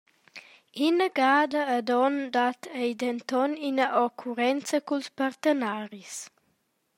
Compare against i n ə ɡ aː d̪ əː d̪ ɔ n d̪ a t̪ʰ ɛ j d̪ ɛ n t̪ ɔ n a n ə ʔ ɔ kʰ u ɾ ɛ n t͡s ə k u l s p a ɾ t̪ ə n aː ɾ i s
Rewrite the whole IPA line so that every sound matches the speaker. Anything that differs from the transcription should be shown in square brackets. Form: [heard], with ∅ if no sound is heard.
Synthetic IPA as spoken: i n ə ɡ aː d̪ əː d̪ ɔ n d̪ a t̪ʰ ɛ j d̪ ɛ n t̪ ɔ n [i] n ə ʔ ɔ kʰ u ɾ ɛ n t͡s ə k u l s p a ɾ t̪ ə n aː ɾ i s